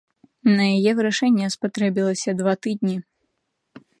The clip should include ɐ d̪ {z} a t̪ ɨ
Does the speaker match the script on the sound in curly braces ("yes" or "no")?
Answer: no